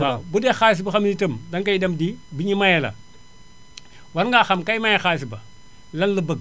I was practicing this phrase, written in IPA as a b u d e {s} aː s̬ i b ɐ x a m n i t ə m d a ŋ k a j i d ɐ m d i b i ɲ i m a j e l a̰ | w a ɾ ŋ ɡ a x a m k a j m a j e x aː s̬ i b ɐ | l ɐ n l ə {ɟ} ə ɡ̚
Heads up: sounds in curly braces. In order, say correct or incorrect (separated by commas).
incorrect, incorrect